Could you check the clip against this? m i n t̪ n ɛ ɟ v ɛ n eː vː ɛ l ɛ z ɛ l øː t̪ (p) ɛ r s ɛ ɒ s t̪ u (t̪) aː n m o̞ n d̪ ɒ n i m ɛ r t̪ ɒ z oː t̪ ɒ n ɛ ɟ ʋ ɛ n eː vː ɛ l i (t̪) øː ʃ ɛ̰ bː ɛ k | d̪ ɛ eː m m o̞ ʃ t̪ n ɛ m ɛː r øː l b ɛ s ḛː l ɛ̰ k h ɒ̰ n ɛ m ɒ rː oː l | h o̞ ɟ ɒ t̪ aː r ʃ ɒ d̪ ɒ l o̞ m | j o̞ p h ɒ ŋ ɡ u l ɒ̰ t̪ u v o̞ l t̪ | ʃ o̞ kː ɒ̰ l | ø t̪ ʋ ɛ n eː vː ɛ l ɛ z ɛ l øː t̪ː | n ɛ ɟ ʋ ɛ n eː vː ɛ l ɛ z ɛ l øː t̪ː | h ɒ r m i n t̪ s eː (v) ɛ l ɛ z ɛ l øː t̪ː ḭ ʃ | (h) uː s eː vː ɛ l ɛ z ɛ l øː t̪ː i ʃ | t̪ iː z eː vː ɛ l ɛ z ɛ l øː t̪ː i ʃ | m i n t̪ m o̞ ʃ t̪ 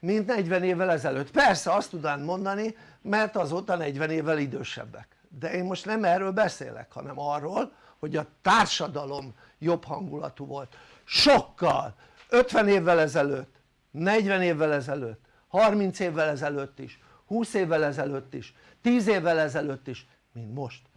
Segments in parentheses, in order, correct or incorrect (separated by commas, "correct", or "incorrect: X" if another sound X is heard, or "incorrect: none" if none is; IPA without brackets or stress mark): correct, incorrect: d̪, incorrect: d̪, incorrect: vː, correct